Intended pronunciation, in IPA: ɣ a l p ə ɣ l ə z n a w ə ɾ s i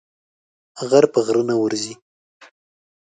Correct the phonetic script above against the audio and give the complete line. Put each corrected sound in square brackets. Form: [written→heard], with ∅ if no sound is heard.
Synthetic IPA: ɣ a [l→ɾ] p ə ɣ [l→ɾ] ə [z→∅] n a w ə ɾ [s→z] i